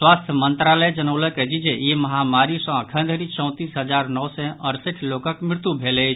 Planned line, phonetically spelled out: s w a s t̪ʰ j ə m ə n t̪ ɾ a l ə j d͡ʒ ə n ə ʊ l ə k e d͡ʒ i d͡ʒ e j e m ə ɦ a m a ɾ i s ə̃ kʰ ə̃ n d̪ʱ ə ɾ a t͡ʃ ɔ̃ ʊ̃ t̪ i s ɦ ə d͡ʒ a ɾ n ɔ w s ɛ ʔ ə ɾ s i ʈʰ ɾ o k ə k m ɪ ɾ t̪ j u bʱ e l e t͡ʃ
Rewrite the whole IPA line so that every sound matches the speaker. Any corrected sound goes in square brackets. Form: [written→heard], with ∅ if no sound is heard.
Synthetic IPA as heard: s w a s t̪ʰ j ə m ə n t̪ ɾ a l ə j d͡ʒ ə n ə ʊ l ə k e d͡ʒ i d͡ʒ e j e m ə ɦ a m a ɾ i s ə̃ kʰ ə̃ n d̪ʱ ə ɾ [a→i] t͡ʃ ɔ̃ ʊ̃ t̪ i s ɦ ə d͡ʒ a ɾ n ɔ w s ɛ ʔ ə ɾ s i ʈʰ [ɾ→l] o k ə k m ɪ ɾ t̪ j u bʱ e l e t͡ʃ